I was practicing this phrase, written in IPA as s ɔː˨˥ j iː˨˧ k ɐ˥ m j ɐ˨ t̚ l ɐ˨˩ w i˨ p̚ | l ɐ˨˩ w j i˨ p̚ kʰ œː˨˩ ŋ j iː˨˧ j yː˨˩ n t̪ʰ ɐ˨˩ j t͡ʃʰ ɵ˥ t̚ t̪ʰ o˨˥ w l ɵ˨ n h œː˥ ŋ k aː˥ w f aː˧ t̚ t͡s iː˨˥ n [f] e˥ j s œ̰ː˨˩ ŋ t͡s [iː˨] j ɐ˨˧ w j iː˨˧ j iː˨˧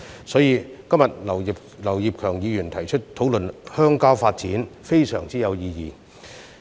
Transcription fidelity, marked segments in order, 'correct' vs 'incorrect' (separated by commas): correct, incorrect